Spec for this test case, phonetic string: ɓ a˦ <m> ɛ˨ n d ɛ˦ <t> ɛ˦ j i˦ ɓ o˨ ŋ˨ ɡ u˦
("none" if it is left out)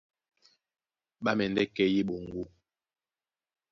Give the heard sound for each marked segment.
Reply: m, k

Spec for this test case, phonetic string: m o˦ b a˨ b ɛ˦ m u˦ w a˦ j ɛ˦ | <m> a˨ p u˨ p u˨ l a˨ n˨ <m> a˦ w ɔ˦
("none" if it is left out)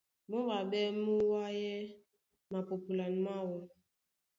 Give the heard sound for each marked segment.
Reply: m, m

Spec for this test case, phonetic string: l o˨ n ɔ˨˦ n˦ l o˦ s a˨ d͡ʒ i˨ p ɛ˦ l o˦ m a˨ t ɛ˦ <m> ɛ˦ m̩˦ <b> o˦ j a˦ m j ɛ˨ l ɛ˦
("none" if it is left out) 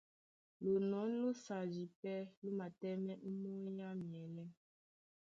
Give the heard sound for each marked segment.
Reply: m, m

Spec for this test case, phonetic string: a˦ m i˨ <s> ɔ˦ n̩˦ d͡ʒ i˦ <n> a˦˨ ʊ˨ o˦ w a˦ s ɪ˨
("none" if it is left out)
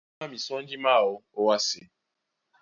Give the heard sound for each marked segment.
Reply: s, m

